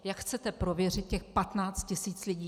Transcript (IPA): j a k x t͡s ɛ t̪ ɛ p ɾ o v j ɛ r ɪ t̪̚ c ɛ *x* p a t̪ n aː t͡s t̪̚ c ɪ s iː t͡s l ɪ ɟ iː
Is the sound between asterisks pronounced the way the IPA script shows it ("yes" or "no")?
yes